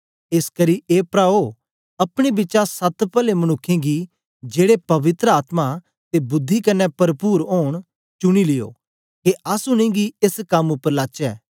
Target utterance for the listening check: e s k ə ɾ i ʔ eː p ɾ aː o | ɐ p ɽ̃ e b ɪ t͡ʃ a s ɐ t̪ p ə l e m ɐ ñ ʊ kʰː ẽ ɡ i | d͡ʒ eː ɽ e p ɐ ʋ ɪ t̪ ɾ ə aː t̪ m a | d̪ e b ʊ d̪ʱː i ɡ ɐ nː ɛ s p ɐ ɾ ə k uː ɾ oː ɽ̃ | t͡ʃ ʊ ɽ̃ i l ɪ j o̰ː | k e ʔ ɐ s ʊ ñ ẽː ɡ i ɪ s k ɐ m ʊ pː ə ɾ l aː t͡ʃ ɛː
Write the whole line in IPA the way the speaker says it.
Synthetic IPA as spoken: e s k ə ɾ i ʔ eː p ɾ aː o | ɐ p ɽ̃ e b ɪ t͡ʃ a s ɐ t̪ p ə l e m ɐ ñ ʊ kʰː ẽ ɡ i | d͡ʒ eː ɽ e p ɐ ʋ ɪ t̪ ɾ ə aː t̪ m a | t̪ e b ʊ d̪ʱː i k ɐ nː ɛ p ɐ ɾ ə p uː ɾ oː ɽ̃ | t͡ʃ ʊ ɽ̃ i l ɪ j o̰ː | k e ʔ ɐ s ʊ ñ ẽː ɡ i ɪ s k ɐ m ʊ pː ə ɾ l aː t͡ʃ ɛː